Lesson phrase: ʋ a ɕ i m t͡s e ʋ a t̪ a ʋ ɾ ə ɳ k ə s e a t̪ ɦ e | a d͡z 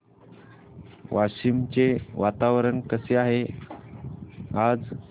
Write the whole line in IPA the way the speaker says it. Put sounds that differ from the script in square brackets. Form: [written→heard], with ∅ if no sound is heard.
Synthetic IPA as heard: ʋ a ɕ i m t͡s e ʋ a t̪ a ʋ ɾ ə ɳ k ə s e a [t̪→∅] ɦ e | a d͡z